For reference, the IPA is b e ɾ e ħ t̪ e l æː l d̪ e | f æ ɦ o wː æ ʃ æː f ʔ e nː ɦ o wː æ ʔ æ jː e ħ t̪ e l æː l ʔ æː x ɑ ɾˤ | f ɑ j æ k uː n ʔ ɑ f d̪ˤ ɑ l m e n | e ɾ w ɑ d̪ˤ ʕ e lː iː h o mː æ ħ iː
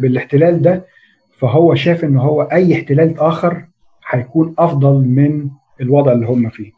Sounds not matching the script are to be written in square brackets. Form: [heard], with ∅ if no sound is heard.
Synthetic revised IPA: b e [l] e ħ t̪ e l æː l d̪ [æ] | f æ ɦ o wː æ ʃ æː f ʔ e nː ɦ o wː æ ʔ æ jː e ħ t̪ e l æː l ʔ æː x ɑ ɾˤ | [ħ] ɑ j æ k uː n ʔ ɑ f d̪ˤ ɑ l m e n | e [l] w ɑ d̪ˤ ʕ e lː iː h o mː æ [f] iː